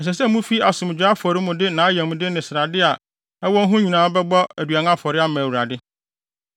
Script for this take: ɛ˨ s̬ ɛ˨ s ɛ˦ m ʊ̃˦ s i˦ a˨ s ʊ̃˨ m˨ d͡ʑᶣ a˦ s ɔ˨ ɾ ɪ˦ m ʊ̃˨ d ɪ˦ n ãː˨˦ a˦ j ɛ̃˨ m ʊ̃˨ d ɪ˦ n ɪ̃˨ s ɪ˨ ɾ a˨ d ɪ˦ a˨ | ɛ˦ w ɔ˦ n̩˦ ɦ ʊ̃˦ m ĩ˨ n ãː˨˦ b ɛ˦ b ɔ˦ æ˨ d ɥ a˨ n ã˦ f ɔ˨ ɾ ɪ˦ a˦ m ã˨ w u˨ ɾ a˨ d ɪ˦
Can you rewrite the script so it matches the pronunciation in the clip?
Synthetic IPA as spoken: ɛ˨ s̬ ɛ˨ s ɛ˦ m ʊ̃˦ f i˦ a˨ s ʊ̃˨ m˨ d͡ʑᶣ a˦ f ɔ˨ ɾ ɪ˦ m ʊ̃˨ d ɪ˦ n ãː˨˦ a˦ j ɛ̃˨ m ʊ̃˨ d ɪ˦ n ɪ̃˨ s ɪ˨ ɾ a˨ d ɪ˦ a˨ | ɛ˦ w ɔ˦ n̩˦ ɦ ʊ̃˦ ɲ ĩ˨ n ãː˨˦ b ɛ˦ b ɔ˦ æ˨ d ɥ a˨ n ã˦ f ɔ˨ ɾ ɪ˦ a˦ m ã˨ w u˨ ɾ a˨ d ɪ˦